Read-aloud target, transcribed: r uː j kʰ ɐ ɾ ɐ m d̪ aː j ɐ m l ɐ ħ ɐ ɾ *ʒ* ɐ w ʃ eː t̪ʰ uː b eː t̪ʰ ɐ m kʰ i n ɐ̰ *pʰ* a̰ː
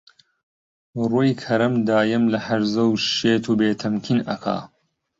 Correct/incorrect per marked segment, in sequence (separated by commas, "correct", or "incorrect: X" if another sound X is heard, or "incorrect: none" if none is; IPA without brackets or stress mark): incorrect: z, incorrect: kʰ